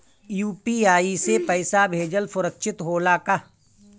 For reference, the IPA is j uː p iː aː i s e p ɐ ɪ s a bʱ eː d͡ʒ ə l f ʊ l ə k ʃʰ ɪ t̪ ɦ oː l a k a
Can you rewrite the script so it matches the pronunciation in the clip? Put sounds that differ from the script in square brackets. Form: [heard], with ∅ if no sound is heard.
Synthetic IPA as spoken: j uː p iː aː i s e p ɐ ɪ s a bʱ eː d͡ʒ ə l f ʊ [ɾ] ə k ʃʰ ɪ t̪ ɦ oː l a k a

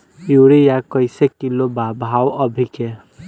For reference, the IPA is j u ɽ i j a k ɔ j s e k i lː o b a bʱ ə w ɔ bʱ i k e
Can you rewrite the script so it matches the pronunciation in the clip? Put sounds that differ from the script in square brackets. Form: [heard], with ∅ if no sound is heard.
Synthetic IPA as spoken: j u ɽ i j a k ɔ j s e k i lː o b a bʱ [a] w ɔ bʱ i k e

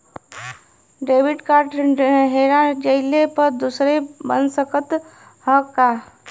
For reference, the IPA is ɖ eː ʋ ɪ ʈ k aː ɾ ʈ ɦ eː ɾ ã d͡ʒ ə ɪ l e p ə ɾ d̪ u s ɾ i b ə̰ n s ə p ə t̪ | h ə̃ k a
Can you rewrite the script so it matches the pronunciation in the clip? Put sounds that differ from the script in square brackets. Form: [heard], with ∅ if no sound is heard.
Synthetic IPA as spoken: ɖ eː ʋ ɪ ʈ k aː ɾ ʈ ɦ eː ɾ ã d͡ʒ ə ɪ l e p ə ɾ d̪ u s ɾ [e] b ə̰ n s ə [k] ə t̪ | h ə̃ k a

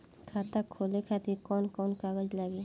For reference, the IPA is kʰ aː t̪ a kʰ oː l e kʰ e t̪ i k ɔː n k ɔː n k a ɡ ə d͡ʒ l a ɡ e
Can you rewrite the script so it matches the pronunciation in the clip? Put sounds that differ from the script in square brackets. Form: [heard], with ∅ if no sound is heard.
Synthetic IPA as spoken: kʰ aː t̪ a kʰ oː l e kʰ [a] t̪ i k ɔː n k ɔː n k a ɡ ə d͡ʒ l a ɡ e

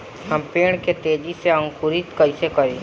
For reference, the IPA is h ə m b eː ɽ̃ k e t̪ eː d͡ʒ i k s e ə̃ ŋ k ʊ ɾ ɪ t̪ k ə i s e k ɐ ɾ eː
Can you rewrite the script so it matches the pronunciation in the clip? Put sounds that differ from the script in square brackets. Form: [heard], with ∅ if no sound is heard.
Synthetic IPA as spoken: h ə m [p] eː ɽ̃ k e t̪ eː d͡ʒ i [∅] s e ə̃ ŋ k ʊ ɾ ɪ t̪ k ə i s e k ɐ ɾ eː

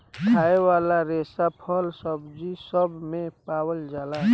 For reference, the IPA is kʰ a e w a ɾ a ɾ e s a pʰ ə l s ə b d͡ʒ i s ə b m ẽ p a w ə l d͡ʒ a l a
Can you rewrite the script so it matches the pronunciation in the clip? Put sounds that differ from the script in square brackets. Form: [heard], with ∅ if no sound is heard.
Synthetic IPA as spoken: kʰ a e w a [l] a ɾ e s a pʰ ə l s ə b d͡ʒ i s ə b m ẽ p a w ə l d͡ʒ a l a

